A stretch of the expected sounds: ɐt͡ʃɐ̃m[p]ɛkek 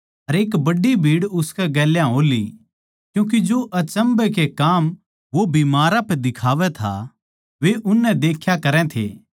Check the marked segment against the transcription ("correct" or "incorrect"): incorrect